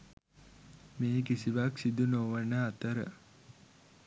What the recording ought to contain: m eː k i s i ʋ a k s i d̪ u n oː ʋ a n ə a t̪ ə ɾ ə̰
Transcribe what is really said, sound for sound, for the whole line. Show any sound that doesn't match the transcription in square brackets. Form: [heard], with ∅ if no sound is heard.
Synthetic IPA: m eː k i s i ʋ a k s i d̪ u n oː ʋ [ə] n ə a t̪ ə ɾ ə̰